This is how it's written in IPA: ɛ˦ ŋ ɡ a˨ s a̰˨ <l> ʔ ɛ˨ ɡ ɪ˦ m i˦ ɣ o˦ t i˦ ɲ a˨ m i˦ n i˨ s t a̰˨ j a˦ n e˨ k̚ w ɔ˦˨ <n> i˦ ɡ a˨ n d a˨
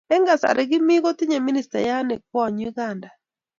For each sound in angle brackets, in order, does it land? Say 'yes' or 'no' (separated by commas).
no, no